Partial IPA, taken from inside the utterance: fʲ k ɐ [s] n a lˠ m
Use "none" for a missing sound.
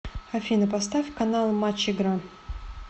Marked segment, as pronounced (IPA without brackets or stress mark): none